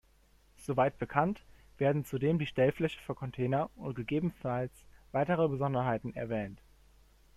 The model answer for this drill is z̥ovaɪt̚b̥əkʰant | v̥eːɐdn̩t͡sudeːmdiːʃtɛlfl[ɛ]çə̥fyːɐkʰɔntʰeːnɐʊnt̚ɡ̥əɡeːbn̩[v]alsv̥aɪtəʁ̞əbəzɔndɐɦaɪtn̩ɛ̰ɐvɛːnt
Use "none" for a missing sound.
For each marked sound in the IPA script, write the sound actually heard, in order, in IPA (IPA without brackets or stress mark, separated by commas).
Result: ɛ, f